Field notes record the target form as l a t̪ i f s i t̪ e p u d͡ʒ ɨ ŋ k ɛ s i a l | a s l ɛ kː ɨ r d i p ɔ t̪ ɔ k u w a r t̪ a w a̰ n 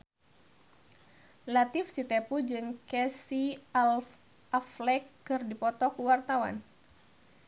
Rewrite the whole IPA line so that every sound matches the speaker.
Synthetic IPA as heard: l a t̪ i f s i t̪ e p u d͡ʒ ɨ ŋ k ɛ s i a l | a f l ɛ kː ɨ r d i p ɔ t̪ ɔ k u w a r t̪ a w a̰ n